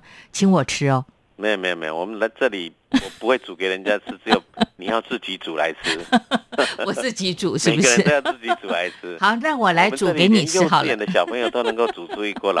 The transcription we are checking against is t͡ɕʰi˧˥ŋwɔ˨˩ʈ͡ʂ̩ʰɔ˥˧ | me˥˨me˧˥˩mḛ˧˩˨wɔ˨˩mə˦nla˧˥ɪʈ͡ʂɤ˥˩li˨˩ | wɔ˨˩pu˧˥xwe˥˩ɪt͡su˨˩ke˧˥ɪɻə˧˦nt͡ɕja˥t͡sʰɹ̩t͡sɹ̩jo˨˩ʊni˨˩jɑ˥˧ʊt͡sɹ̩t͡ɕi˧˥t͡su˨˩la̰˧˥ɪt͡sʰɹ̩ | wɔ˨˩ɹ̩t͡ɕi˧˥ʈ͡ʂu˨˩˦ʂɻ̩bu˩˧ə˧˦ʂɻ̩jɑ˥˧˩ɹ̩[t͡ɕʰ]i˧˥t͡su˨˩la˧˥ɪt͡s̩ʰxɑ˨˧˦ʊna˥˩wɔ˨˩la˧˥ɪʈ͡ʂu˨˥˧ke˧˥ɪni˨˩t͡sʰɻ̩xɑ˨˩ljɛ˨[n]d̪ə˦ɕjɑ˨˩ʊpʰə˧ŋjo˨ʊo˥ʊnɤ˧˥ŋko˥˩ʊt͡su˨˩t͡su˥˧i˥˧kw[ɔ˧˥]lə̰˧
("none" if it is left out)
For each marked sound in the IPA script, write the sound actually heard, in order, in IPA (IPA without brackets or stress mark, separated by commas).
t͡ɕ, n, ɔ˥˩